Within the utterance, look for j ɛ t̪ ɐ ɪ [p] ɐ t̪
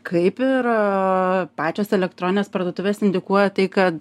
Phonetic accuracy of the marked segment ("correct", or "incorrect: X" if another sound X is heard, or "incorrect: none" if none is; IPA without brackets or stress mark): incorrect: k